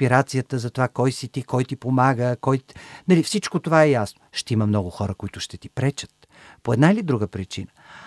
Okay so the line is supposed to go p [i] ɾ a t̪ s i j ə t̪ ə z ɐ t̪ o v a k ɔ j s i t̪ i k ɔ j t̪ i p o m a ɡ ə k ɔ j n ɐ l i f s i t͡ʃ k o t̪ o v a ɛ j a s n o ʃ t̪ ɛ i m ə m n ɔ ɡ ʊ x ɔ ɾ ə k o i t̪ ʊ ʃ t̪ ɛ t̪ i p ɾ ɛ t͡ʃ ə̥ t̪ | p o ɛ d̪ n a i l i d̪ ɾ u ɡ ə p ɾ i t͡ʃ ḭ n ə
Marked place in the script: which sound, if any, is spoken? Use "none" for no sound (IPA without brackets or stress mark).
i